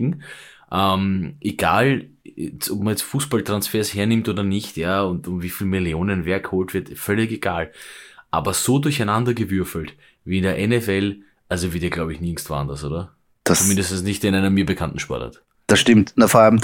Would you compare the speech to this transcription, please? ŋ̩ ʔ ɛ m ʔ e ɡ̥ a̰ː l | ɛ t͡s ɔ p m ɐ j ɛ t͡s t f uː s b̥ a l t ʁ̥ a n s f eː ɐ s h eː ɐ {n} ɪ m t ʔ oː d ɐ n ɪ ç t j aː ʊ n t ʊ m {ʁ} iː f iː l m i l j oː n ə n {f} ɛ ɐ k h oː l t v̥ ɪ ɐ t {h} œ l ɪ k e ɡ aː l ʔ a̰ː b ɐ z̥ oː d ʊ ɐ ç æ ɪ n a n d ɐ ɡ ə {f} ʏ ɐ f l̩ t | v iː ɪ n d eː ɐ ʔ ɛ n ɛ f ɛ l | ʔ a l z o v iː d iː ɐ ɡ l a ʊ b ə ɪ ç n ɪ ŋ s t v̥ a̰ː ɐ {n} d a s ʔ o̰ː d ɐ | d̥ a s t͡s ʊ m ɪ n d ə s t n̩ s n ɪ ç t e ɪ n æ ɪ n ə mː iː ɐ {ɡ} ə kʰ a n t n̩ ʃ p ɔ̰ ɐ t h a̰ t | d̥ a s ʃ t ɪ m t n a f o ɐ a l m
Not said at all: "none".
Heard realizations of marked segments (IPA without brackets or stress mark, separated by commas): n, v, v, f, v, n, b